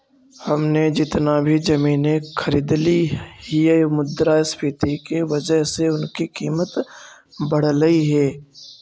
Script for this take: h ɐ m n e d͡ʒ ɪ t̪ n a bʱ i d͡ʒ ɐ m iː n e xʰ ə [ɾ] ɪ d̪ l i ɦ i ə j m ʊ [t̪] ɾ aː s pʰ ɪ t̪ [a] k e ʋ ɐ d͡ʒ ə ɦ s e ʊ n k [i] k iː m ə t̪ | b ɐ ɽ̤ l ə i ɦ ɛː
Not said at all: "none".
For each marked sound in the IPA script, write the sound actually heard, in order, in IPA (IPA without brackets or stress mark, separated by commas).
ɾ, d̪, i, i